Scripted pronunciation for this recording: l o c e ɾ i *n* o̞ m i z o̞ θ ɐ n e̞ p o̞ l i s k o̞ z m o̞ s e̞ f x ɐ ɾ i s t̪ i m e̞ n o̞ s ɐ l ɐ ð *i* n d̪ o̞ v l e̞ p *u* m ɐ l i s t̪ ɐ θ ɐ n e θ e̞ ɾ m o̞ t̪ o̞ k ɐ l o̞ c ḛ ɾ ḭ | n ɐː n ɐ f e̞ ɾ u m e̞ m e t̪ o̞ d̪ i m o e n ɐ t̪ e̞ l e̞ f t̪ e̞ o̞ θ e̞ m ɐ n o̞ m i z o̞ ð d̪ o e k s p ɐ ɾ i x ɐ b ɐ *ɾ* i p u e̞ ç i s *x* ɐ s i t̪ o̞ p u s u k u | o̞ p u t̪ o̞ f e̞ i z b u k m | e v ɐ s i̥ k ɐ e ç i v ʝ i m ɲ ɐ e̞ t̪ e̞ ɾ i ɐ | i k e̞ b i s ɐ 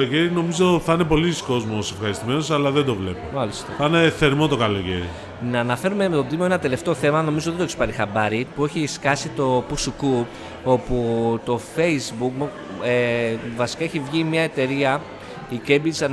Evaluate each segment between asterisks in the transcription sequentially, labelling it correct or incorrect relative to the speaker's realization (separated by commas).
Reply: correct, incorrect, incorrect, correct, incorrect